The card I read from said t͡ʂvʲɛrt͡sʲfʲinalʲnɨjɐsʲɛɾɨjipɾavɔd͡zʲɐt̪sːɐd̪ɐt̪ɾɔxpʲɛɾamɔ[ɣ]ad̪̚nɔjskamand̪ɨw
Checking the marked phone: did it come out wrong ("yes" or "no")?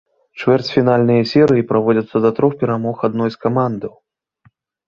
yes